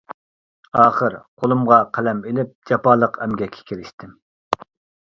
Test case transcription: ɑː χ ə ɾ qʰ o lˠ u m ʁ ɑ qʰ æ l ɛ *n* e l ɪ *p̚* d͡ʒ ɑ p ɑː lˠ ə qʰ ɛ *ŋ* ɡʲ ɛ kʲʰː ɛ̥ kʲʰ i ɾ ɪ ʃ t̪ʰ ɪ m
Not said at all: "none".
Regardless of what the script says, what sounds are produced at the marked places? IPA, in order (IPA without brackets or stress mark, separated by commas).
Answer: m, p̚, m